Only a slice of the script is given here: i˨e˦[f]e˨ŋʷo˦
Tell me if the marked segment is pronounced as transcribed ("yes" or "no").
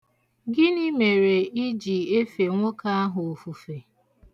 yes